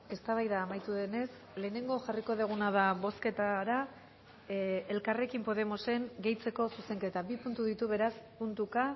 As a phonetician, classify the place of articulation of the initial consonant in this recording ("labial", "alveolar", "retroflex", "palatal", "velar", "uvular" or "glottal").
alveolar